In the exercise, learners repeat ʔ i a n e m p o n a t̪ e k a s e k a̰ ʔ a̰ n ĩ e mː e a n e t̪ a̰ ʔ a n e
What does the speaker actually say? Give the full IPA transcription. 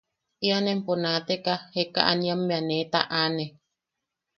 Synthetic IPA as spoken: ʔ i a n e m p o n a t̪ e k a h e k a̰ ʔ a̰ n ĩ a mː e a n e t̪ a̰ ʔ a n e